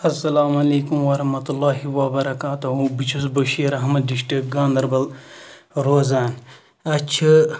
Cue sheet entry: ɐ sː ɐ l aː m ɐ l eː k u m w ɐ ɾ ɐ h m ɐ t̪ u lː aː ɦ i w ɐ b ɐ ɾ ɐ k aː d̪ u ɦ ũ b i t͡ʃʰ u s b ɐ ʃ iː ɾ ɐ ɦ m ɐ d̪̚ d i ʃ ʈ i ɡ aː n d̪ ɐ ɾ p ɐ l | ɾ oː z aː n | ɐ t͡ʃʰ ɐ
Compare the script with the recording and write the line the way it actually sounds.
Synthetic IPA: ɐ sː ɐ l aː m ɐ l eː k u m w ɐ ɾ ɐ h m ɐ t̪ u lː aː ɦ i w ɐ b ɐ ɾ ɐ k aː t̪ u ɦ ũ b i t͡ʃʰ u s b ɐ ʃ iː ɾ ɐ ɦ m ɐ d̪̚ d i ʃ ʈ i ɡ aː n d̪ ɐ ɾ b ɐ l | ɾ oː z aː n | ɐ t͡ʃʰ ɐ